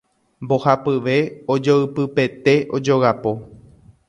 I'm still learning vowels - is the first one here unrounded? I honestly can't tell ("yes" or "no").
no